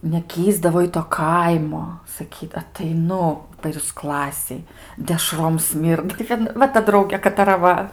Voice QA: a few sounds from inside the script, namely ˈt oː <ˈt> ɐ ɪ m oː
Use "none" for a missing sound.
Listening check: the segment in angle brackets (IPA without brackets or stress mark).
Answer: k